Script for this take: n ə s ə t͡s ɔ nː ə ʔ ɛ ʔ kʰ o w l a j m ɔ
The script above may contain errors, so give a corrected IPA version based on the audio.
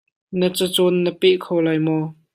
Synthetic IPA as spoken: n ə t͡s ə t͡s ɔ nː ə p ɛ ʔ kʰ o w l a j m ɔ